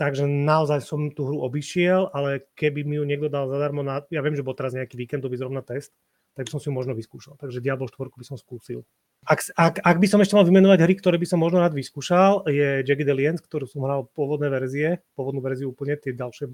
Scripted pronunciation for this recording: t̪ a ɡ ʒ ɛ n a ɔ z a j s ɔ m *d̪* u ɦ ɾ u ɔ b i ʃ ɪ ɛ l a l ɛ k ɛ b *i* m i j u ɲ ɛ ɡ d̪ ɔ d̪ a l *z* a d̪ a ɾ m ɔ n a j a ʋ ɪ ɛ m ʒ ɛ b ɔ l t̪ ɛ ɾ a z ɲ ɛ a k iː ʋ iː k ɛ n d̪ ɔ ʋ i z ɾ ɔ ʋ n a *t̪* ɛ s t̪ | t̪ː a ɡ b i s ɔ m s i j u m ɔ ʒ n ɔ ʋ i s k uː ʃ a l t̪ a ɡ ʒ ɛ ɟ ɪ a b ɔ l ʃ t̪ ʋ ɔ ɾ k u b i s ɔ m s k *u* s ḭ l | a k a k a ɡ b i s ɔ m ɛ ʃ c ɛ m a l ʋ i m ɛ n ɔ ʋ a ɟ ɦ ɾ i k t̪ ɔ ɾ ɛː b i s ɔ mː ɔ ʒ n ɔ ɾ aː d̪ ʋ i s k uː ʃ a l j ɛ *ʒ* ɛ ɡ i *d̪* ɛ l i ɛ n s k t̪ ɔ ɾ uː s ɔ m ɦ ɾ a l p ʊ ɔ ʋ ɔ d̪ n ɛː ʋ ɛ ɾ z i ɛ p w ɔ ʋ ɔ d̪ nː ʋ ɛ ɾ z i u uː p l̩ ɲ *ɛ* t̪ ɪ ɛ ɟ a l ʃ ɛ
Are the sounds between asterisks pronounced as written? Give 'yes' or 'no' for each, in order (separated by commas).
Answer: no, yes, yes, yes, no, no, yes, yes